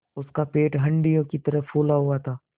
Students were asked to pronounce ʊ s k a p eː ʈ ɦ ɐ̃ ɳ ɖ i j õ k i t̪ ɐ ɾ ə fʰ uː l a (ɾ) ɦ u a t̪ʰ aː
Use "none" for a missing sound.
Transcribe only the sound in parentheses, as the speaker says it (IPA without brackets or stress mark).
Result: none